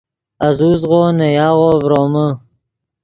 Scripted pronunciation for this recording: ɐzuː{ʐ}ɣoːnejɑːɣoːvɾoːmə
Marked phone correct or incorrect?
incorrect